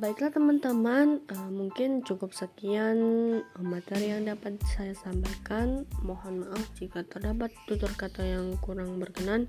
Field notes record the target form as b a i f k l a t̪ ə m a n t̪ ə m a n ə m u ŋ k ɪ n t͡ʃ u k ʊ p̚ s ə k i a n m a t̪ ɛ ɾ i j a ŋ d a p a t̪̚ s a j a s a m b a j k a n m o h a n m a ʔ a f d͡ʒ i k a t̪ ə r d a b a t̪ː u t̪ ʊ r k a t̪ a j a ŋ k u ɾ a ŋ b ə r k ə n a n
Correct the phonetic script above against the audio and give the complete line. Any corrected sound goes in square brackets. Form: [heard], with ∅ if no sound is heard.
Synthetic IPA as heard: b a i [∅] k l a t̪ ə m a n t̪ ə m a n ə m u ŋ k ɪ n t͡ʃ u k ʊ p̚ s ə k i a n m a t̪ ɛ ɾ i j a ŋ d a p a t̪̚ s a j a s a m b a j k a n m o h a n m a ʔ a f d͡ʒ i k a t̪ ə r d a b a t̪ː u t̪ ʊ r k a t̪ a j a ŋ k u ɾ a ŋ b ə r k ə n a n